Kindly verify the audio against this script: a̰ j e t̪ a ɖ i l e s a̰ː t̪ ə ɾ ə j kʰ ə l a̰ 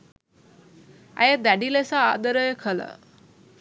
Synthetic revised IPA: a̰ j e d̪ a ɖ i l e s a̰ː d̪ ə ɾ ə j kʰ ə l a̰